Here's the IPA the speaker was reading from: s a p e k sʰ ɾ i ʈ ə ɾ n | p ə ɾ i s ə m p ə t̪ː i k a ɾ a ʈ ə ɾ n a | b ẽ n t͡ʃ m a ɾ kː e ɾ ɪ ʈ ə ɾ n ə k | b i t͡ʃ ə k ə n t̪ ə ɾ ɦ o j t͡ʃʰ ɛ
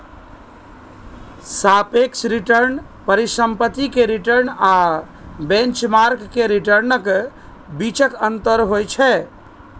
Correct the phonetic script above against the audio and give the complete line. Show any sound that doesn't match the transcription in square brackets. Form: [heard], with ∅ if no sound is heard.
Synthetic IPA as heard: s a p e k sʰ ɾ i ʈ ə ɾ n | p ə ɾ i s ə m p ə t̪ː i k [e] ɾ [i] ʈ ə ɾ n a | b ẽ n t͡ʃ m a ɾ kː e ɾ [i] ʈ ə ɾ n ə k | b i t͡ʃ ə k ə n t̪ ə ɾ ɦ o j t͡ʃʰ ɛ